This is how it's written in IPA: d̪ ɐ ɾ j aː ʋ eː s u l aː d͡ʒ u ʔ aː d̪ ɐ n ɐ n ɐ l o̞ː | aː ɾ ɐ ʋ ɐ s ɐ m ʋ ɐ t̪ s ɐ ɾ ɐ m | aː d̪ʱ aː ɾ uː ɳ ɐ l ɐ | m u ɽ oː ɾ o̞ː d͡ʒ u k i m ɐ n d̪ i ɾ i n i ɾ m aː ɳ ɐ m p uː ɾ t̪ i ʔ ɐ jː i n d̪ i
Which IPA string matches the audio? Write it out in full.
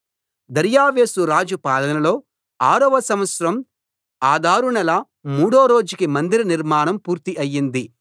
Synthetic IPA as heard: d̪ ɐ ɾ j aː ʋ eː s u ɾ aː d͡ʒ u p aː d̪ ɐ n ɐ n ɐ l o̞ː | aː ɾ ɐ ʋ ɐ s ɐ m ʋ ɐ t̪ s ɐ ɾ ɐ m | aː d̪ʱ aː ɾ u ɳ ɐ l ɐ | m uː ɽ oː ɾ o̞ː d͡ʒ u k i m ɐ n d̪ i ɾ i n i ɾ m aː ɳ ɐ m p uː ɾ t̪ i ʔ ɐ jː i n d̪ i